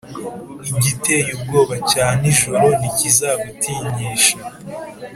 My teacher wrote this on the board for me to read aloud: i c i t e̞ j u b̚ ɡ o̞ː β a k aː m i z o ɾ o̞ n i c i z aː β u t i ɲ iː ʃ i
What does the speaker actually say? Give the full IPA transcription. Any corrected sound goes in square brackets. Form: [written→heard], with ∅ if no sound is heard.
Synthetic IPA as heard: i [c→ɟ] i t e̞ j u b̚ ɡ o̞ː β a [k→c] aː [m→n] i [z→ʒ] o ɾ o̞ n i c i z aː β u t i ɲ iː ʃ [i→a]